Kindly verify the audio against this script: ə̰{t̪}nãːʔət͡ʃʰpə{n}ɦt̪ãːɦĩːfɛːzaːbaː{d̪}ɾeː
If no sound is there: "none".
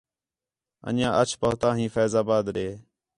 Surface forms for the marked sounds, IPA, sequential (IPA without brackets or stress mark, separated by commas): none, none, d̪